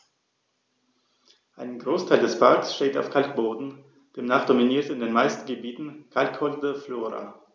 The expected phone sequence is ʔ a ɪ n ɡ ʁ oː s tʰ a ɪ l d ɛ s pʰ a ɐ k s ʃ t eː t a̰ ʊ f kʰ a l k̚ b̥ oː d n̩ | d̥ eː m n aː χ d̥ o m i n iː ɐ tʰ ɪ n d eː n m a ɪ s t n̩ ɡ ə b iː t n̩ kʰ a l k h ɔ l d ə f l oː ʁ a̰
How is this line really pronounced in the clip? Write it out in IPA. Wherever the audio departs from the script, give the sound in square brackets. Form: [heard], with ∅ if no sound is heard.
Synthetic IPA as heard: ʔ a ɪ n ɡ ʁ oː s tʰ a ɪ l d ɛ s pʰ a ɐ k s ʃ t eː t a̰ ʊ f kʰ a l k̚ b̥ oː d n̩ | d̥ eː m n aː χ d̥ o m i n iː ɐ [t] ɪ n d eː n m a ɪ s t n̩ ɡ ə b iː t n̩ kʰ a l k h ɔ l d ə f l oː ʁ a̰